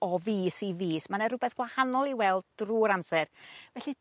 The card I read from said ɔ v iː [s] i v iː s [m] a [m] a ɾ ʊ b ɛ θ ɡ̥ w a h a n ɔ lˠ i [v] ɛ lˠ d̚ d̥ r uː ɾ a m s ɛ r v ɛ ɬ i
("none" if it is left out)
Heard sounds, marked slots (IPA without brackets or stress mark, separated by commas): s, m, n, w